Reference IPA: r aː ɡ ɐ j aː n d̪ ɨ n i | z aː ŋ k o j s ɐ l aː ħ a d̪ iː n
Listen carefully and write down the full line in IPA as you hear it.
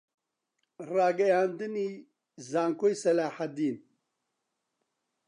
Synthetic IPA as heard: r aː ɡ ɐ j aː n d̪ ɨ n i | z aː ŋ k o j s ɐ l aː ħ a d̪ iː n